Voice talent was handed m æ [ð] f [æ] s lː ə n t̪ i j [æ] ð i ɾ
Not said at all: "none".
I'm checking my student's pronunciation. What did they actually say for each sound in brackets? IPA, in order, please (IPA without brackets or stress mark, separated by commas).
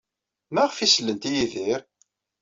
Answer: ʁ, i, i